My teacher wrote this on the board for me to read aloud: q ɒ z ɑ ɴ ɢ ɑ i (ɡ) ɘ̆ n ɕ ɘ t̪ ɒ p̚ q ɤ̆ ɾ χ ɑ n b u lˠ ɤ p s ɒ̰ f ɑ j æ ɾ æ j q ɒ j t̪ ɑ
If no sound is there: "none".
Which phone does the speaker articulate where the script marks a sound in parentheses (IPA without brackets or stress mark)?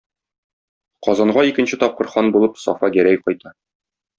k